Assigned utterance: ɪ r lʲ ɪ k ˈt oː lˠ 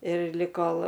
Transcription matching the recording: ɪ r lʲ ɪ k ˈk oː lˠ